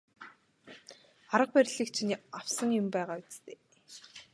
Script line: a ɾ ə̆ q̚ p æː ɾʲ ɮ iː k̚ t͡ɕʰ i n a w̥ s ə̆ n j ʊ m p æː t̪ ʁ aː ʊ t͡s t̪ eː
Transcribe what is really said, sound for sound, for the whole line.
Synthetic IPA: a ɾ ə̆ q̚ p æ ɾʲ ɮ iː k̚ t͡ɕʰ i n a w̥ s ə̆ ŋ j ʊ m p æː ʁ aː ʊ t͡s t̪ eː